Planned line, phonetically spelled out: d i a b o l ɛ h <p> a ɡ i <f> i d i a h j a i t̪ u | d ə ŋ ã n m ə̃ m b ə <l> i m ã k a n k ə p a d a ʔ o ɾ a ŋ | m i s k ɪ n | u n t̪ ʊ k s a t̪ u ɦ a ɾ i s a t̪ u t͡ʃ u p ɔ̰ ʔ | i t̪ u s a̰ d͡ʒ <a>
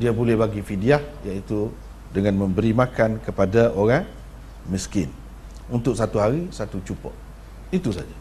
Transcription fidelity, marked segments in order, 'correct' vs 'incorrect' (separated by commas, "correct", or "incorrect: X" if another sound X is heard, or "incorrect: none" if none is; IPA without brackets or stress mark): incorrect: b, correct, incorrect: ɾ, correct